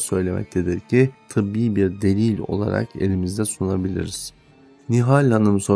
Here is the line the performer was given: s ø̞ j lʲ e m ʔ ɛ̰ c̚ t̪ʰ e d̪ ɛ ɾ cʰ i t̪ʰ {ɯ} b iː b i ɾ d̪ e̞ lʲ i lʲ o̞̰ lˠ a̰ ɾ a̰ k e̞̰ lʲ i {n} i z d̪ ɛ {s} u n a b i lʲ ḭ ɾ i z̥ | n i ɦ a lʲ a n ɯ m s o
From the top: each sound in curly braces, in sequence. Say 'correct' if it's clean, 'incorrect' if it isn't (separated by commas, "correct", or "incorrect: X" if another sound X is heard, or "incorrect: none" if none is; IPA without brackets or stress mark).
correct, incorrect: m, correct